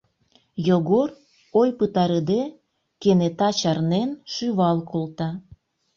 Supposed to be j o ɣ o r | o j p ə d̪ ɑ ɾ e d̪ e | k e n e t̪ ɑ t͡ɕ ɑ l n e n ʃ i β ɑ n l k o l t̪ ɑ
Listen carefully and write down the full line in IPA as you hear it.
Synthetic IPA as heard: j o ɣ o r | o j p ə t̪ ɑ ɾ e d̪ e | k e n e t̪ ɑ t͡ɕ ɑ r n e n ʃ y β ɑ l k o l t̪ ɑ